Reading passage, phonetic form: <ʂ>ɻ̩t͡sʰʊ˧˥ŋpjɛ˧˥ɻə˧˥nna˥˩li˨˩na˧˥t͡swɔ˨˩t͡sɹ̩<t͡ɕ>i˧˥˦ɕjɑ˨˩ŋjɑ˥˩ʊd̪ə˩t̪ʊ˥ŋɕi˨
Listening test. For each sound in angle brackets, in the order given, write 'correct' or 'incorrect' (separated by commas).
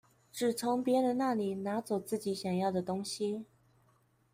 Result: incorrect, correct